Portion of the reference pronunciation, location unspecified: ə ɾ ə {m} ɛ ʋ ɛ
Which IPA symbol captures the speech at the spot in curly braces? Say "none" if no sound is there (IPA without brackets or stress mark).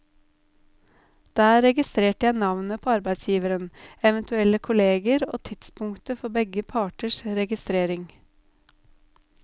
n